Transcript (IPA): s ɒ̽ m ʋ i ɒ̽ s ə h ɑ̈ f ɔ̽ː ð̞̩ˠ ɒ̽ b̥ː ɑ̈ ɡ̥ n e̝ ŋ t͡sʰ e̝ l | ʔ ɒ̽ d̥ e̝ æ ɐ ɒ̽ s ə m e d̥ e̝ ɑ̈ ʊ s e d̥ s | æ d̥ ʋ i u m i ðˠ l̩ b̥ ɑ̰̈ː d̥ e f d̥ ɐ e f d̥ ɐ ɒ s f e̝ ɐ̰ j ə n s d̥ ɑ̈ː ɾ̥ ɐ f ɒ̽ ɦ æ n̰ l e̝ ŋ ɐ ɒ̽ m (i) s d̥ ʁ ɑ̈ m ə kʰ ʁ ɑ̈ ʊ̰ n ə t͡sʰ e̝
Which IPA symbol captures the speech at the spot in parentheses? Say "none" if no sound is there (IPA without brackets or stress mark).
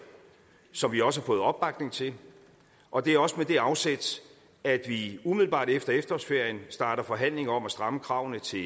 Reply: æ